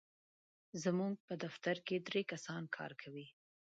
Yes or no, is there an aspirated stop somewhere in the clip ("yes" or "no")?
yes